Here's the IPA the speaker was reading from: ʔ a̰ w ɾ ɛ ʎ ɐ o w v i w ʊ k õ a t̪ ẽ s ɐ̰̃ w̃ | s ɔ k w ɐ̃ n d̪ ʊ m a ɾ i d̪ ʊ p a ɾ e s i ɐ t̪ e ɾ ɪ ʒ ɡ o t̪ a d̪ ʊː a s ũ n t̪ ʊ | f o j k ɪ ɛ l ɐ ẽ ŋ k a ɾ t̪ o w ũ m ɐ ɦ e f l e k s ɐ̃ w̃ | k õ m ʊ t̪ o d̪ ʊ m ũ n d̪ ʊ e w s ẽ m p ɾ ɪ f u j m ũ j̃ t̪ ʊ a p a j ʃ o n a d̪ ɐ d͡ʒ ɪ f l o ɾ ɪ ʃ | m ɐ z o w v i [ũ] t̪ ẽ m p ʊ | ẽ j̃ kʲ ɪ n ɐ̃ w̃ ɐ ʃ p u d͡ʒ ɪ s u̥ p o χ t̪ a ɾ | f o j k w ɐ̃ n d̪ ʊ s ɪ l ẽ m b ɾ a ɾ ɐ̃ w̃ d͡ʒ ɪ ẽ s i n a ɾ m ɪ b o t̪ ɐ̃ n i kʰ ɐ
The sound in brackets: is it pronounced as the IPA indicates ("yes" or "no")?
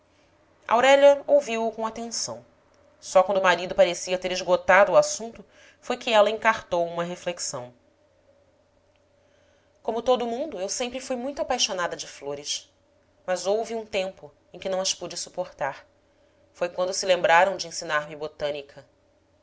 yes